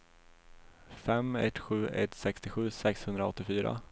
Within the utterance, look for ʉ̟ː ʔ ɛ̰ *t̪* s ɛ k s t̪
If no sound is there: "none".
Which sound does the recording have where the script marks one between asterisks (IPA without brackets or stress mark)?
t̪